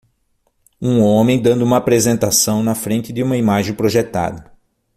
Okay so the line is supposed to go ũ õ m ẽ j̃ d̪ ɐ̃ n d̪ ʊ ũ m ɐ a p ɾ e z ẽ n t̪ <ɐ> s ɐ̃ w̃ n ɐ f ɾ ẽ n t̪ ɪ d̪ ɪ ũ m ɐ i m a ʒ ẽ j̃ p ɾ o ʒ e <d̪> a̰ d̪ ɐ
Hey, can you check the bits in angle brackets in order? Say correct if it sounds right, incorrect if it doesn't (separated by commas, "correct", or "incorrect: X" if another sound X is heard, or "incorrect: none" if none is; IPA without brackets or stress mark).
incorrect: a, incorrect: t̪